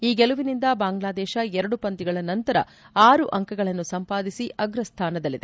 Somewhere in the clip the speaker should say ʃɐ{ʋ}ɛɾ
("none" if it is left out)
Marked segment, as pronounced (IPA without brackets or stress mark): none